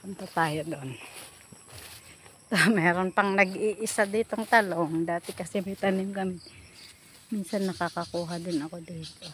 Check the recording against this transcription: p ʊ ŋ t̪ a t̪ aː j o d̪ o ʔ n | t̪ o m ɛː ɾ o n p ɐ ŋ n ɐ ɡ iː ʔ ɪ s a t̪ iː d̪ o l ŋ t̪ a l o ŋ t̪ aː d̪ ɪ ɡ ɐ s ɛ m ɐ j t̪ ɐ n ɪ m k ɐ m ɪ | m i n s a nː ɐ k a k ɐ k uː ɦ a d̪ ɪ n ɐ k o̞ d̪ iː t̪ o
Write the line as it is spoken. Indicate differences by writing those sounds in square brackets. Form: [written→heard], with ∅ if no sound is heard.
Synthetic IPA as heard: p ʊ [ŋ→n] t̪ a t̪ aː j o d̪ o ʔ n | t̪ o m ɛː ɾ o n p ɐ ŋ n ɐ ɡ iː ʔ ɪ s a [t̪→d̪] iː [d̪→t̪] o [l→∅] ŋ t̪ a l o ŋ [t̪→d̪] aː [d̪→t̪] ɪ [ɡ→k] ɐ s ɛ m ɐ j t̪ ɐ n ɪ m k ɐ m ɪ | m i n s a nː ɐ k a k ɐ k uː ɦ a d̪ ɪ n ɐ k o̞ d̪ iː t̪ o